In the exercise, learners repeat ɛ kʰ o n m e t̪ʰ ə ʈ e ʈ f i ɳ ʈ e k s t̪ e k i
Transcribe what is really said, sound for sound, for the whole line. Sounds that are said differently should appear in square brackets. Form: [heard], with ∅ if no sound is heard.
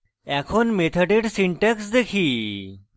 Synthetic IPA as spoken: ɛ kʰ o n m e t̪ʰ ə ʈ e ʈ [s] i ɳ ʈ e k s [d̪] e [kʰ] i